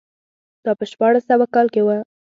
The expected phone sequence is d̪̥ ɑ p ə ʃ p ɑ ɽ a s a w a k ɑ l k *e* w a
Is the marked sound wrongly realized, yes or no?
no